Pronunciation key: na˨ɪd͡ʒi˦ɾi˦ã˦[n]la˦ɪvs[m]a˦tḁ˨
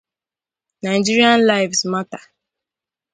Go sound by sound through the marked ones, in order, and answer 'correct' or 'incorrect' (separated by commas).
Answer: correct, correct